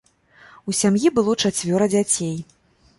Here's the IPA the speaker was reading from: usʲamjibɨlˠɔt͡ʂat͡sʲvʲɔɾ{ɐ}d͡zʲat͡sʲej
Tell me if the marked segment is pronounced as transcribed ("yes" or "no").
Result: yes